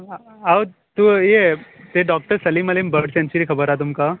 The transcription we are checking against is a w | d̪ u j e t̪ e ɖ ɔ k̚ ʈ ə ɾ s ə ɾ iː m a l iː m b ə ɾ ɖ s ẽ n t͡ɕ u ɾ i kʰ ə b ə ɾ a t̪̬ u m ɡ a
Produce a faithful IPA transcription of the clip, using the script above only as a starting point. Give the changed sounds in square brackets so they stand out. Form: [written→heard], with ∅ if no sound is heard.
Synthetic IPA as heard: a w | [d̪→t̪] u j e t̪ e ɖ ɔ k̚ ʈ ə ɾ s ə [ɾ→l] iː m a l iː m b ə ɾ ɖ s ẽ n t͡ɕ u ɾ i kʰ ə b ə ɾ a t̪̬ u m [ɡ→k] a